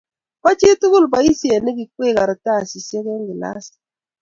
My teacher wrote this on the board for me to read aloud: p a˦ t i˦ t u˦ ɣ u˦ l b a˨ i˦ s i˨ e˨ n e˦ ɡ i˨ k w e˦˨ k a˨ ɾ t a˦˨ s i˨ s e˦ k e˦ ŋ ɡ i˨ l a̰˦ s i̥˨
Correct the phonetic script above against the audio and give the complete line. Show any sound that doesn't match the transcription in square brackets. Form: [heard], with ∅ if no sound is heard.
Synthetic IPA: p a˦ [t͡ʃ] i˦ t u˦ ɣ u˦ l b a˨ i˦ s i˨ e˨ n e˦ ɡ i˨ k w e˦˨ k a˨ ɾ t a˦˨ s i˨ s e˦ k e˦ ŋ ɡ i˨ l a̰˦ s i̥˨